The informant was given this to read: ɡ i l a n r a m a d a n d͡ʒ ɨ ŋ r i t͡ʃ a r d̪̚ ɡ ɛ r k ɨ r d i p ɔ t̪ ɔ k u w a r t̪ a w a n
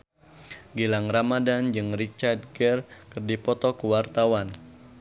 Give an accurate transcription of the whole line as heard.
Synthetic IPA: ɡ i l a ŋ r a m a d a n d͡ʒ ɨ ŋ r i t͡ʃ a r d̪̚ ɡ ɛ r k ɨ r d i p ɔ t̪ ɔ k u w a r t̪ a w a n

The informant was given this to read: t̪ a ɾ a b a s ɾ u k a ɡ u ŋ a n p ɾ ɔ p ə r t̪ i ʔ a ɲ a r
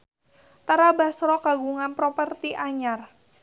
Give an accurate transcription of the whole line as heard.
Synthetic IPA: t̪ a ɾ a b a s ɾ ɔ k a ɡ u ŋ a n p ɾ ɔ p ə r t̪ i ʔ a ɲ a r

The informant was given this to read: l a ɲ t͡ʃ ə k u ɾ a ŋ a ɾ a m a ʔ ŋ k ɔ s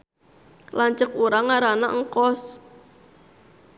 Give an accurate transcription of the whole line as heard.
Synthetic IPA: l a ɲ t͡ʃ ə k u ɾ a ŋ a ɾ a n a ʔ ŋ k ɔ s

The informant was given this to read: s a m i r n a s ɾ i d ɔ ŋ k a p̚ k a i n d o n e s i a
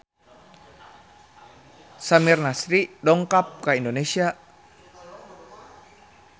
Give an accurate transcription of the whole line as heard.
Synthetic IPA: s a m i r n a s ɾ i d ɔ ŋ k a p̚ k a i n d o n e s i a

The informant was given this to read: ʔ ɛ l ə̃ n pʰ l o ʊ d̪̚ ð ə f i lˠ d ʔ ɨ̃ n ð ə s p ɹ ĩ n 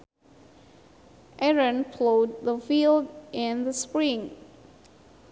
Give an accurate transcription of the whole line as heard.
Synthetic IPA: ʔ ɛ ɹ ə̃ n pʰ l o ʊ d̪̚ ð ə f i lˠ d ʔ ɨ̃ n ð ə s p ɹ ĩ ŋ

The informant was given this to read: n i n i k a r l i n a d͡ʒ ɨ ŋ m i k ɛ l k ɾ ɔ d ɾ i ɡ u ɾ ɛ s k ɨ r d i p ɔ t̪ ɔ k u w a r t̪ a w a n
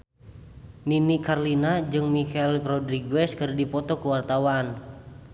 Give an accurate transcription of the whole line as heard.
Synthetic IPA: n i n i k a r l i n a d͡ʒ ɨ ŋ m i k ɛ l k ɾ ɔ d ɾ i ɡ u ɛ s k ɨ r d i p ɔ t̪ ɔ k u w a r t̪ a w a n

